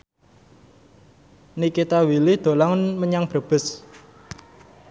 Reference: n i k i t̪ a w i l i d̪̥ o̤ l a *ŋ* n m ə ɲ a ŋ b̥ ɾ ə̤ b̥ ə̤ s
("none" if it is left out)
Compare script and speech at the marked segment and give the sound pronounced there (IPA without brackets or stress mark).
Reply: ŋ